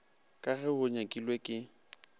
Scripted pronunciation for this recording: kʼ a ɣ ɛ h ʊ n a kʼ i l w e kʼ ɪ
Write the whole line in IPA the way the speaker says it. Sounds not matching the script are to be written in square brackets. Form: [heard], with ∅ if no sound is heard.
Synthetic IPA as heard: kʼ a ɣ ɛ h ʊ [ɲ] a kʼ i l w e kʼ ɪ